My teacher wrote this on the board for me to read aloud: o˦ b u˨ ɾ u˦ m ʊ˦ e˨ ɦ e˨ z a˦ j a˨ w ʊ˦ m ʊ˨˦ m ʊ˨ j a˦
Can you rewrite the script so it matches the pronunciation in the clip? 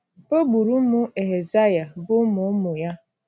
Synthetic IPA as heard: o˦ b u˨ ɾ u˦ m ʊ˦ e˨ ɦ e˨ z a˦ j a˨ b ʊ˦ m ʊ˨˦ m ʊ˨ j a˦